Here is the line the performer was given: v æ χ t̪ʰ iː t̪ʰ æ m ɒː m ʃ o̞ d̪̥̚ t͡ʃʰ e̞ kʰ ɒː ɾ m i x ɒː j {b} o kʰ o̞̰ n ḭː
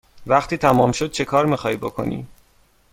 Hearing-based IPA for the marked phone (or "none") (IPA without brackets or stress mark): b